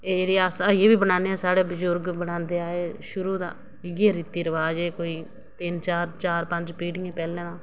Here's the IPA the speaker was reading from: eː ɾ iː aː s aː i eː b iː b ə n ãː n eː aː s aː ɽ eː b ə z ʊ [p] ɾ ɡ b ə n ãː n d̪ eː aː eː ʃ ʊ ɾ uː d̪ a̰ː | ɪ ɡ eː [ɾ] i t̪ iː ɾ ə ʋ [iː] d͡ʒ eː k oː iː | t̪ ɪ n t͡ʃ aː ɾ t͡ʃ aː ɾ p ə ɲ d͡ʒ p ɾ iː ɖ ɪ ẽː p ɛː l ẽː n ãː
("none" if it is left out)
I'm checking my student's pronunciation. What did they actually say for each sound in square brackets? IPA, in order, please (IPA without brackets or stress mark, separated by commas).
none, ɾ, aː